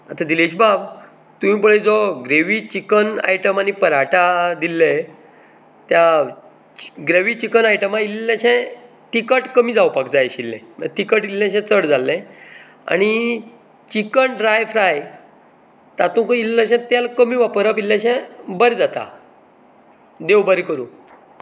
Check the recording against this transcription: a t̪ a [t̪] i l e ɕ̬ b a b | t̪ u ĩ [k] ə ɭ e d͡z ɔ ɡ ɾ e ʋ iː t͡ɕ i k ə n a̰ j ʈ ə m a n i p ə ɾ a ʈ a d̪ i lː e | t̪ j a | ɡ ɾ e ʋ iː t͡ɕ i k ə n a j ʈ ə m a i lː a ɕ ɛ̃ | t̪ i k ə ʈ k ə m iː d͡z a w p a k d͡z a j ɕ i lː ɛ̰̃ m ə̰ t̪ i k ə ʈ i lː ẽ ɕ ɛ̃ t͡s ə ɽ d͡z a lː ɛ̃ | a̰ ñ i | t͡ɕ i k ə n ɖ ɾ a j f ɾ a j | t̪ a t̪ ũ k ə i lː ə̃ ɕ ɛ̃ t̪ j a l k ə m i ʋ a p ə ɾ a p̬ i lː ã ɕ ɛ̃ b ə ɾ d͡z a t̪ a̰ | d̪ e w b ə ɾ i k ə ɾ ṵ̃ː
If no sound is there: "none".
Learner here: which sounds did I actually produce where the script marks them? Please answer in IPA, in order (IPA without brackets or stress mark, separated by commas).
d̪, p